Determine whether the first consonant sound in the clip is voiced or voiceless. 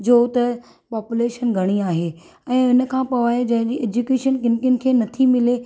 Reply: voiced